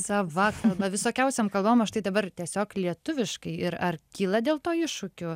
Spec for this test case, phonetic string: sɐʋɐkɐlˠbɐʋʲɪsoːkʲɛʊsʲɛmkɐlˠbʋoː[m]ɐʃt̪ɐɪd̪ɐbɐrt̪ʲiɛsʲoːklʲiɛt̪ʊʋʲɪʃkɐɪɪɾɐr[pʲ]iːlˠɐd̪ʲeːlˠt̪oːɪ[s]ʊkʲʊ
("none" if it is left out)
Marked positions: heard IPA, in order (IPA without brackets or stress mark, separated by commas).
m, kʲ, ʃ